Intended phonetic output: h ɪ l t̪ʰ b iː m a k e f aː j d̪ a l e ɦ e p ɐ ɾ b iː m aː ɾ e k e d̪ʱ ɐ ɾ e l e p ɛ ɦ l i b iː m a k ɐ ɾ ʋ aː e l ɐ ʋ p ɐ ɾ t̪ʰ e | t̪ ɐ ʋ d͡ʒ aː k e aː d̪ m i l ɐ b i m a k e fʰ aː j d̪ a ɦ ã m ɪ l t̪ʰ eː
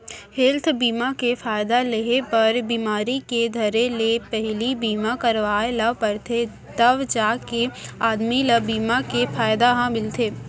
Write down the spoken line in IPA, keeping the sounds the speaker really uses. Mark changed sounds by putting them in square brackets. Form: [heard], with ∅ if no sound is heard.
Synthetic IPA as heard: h ɪ l t̪ʰ b iː m a k e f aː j d̪ a l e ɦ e p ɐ ɾ b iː m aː ɾ [i] k e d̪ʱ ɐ ɾ e l e p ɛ ɦ l i b iː m a k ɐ ɾ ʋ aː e l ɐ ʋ p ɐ ɾ t̪ʰ e | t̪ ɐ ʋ d͡ʒ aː k e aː d̪ m i l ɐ b [iː] m a k e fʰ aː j d̪ a ɦ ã m ɪ l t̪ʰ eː